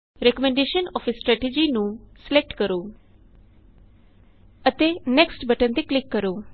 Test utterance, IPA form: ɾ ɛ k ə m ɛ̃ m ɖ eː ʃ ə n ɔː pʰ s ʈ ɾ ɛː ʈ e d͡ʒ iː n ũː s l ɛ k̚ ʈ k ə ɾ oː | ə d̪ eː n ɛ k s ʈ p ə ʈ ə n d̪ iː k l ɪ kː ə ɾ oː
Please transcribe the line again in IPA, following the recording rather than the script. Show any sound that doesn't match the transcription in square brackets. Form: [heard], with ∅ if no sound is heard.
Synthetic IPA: ɾ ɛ k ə m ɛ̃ [ɳ] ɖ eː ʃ ə n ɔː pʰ s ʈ ɾ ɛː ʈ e d͡ʒ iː n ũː s l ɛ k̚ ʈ k ə ɾ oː | ə [t̪] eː n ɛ k s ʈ [b] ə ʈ ə n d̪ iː k l ɪ kː ə ɾ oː